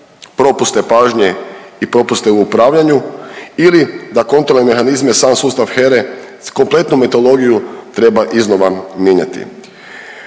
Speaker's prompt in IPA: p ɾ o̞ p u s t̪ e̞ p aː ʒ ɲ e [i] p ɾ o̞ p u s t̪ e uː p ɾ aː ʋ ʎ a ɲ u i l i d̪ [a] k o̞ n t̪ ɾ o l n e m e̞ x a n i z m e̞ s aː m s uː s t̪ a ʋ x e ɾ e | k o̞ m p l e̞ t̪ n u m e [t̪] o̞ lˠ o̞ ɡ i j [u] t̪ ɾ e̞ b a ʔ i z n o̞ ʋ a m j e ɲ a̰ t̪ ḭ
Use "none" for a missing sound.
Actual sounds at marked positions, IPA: i, a, t̪, u

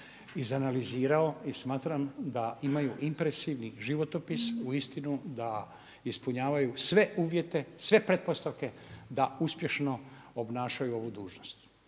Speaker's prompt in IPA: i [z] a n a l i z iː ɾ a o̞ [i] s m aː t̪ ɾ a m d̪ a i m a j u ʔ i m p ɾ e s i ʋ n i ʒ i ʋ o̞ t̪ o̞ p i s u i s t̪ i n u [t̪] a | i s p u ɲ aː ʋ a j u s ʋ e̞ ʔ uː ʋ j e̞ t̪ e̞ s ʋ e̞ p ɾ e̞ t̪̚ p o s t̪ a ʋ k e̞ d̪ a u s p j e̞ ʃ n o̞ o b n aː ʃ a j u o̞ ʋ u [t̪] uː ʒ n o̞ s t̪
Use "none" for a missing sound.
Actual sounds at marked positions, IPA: z, i, d̪, d̪

